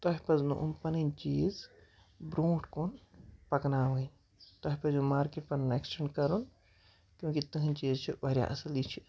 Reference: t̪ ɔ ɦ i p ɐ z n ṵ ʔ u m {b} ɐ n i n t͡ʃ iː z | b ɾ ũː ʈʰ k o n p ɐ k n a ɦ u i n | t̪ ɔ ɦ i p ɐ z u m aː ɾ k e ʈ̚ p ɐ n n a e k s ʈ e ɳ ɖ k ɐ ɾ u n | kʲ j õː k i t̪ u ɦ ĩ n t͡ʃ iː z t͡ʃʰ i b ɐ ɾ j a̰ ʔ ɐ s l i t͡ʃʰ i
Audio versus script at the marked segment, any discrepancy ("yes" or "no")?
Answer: yes